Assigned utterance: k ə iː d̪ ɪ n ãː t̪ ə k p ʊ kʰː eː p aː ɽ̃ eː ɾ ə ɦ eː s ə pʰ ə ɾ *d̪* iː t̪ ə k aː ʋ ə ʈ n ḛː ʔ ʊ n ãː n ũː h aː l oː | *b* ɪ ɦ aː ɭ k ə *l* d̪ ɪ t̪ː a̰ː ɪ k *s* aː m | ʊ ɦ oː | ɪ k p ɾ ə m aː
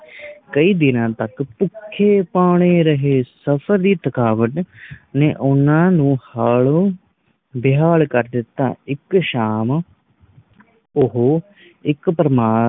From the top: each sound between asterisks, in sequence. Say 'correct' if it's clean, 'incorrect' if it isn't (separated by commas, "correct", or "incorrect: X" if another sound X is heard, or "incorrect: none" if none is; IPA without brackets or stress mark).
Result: correct, correct, incorrect: ɾ, incorrect: ʃ